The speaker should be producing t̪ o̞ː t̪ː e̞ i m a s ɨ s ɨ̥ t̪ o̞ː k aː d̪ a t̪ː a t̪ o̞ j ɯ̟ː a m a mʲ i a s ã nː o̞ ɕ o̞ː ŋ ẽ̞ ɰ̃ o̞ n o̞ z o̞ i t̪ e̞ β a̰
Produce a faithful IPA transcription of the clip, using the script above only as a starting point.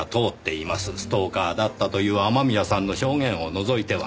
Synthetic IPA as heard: t̪ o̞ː t̪ː e̞ i m a s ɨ s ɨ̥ t̪ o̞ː k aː d̪ a t̪ː a t̪ o̞ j ɯ̟ː a m a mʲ i a s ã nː o̞ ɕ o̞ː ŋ ẽ̞ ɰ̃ o̞ n o̞ z o̞ i t̪ e̞ β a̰